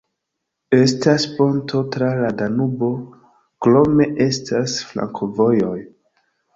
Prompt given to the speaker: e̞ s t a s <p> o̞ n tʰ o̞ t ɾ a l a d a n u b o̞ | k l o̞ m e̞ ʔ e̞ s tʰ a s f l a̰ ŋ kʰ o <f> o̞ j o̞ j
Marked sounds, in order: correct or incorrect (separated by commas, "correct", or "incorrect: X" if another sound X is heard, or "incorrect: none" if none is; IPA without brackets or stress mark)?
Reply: correct, incorrect: v